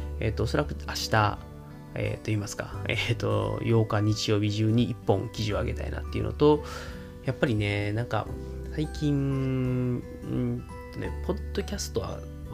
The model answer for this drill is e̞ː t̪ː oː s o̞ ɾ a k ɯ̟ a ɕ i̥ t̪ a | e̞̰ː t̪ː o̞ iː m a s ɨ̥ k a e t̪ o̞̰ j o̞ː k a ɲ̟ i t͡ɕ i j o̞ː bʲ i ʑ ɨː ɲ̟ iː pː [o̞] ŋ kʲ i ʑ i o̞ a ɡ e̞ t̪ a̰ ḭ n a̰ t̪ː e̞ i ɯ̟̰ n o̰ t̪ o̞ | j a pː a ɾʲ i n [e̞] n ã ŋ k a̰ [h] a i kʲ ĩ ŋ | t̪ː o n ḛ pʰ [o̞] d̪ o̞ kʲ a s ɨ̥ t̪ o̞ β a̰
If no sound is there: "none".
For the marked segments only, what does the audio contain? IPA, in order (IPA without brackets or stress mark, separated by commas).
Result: õ̞, e̞, s, o̞